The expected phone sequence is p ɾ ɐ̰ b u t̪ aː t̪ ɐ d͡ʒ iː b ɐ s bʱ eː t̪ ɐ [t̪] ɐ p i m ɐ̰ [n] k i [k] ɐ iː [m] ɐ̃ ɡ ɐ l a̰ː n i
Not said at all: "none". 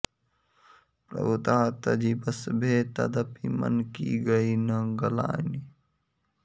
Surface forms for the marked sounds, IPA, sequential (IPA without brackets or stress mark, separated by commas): d̪, n, ɡ, n